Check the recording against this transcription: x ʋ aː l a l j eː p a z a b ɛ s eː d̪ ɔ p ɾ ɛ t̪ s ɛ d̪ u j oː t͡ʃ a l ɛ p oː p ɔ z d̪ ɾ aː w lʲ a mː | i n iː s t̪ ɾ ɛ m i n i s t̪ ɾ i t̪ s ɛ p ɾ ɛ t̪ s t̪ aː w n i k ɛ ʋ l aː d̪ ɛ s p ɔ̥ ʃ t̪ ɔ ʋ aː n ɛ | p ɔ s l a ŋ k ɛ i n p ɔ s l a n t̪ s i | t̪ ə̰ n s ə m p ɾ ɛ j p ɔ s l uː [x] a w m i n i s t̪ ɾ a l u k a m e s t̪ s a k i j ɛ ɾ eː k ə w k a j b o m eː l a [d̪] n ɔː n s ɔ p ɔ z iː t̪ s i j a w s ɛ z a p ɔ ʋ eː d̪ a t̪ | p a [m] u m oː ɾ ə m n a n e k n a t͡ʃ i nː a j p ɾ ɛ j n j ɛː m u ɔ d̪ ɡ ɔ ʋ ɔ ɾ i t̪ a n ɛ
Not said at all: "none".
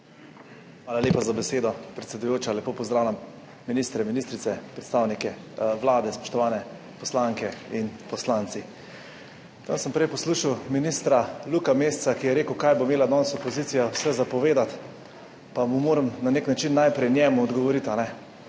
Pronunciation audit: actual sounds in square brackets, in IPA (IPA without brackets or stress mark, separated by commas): ʃ, d̪, m